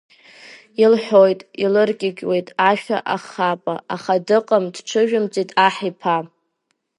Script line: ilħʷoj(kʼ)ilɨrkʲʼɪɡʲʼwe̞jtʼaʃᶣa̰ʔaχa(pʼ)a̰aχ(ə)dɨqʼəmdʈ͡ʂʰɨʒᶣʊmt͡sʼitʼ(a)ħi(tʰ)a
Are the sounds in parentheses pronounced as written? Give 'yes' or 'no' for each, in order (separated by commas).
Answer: no, yes, no, yes, no